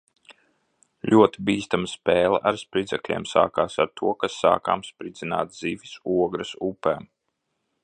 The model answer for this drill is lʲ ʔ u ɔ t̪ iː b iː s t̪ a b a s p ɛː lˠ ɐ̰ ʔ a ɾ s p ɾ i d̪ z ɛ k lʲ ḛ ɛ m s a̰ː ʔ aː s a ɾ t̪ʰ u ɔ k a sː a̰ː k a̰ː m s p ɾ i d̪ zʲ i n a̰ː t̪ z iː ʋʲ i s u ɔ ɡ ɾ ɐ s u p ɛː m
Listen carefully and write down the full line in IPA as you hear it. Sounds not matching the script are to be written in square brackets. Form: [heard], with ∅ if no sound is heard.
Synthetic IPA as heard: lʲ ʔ u ɔ t̪ [i] b iː s t̪ a [m] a s p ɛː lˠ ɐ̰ ʔ a ɾ s p ɾ i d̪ z ɛ k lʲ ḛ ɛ m s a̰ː [k] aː s a ɾ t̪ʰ u ɔ k a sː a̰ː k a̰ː m s p ɾ i d̪ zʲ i n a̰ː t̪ z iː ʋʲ i s u ɔ ɡ ɾ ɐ s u p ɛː m